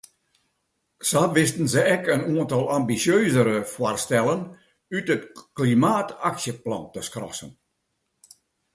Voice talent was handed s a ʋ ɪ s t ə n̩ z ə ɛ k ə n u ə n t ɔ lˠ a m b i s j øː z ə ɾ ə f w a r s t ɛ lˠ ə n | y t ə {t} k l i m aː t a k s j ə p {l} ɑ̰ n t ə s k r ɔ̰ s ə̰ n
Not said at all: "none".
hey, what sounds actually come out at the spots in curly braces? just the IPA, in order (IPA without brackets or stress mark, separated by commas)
t, l